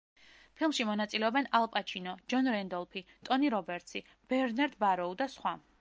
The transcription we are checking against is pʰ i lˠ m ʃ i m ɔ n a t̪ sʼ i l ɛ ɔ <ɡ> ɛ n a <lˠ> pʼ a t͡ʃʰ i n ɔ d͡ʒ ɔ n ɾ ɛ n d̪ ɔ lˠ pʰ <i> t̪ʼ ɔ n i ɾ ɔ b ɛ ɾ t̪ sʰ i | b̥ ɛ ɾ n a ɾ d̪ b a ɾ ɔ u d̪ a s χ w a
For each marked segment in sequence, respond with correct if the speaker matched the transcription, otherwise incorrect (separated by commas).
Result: incorrect, correct, correct